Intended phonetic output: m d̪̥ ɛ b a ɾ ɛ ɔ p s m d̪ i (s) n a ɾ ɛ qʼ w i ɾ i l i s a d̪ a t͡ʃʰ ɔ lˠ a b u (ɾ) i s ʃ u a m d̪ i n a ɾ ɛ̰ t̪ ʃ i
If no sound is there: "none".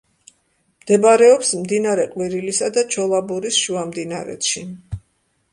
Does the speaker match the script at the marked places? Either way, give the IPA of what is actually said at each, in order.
none, ɾ

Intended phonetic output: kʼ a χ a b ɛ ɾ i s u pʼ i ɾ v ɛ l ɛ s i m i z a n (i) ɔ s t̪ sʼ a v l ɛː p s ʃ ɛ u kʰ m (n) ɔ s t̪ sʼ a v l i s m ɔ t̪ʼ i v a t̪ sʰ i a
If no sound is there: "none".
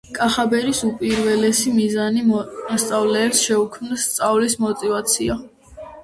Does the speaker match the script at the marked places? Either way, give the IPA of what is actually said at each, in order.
i, n

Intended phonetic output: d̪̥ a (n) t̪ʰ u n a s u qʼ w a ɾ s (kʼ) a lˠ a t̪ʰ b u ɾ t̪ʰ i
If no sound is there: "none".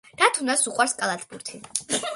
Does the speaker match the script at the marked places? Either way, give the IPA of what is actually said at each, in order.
none, kʼ

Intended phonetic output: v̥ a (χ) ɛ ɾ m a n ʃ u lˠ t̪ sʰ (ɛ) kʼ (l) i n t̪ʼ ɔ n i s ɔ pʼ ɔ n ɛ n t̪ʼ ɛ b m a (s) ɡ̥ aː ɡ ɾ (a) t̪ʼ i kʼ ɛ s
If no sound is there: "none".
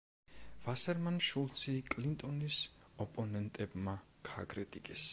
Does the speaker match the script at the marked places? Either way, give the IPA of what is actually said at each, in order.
s, i, l, none, ɛ

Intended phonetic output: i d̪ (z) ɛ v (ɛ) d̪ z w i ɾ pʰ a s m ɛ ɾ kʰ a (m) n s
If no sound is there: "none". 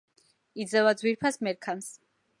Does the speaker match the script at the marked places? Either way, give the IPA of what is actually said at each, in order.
z, a, none

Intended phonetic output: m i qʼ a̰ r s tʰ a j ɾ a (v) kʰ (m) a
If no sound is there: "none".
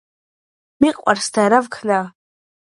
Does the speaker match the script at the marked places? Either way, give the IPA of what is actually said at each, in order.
v, n

